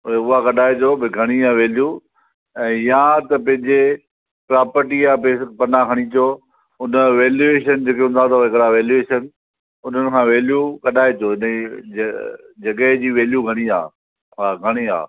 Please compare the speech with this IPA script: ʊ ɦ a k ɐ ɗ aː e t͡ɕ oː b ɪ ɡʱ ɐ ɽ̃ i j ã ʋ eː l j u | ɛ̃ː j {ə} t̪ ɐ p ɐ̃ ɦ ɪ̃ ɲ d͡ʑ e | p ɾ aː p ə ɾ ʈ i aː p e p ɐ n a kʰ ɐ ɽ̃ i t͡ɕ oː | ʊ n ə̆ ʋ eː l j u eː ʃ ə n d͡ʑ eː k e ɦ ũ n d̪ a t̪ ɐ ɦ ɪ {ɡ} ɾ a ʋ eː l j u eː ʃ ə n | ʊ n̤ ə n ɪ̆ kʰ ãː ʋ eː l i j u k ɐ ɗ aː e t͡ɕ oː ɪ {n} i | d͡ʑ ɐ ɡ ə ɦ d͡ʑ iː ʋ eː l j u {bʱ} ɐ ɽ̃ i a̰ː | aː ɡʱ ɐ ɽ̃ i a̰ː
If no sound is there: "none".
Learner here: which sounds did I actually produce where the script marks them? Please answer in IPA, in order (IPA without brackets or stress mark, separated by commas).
a, k, n, ɡʱ